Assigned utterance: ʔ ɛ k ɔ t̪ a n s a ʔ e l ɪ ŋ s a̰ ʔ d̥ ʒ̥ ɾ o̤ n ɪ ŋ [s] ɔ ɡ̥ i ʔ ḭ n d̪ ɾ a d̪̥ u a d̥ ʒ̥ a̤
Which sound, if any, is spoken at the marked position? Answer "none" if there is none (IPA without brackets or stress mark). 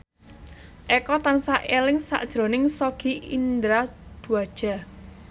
s